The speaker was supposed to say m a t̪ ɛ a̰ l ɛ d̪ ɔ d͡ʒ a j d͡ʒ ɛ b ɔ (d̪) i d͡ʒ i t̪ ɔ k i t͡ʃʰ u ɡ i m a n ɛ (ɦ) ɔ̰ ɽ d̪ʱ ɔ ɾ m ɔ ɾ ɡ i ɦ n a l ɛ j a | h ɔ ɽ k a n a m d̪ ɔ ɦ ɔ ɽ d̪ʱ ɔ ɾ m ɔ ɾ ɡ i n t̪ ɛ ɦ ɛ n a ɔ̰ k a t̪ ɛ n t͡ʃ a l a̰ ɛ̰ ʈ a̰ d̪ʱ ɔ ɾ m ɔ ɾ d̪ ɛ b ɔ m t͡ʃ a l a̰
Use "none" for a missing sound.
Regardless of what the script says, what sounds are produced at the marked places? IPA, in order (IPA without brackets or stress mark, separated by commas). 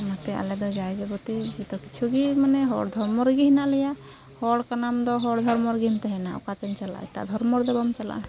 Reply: t̪, ɦ